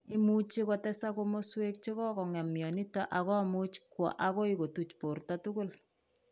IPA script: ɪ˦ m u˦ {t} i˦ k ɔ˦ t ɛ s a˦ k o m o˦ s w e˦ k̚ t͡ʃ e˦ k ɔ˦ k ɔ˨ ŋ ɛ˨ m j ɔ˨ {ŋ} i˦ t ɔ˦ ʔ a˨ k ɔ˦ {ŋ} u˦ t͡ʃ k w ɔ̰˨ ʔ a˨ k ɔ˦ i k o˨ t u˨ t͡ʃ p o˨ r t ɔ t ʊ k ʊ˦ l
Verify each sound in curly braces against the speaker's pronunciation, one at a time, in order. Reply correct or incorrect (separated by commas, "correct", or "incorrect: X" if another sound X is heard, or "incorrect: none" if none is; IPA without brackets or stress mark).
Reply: incorrect: t͡ʃ, incorrect: n, incorrect: m